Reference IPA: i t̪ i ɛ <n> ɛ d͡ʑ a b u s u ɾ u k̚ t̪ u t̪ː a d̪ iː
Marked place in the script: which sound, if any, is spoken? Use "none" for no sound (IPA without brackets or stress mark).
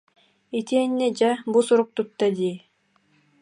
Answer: nː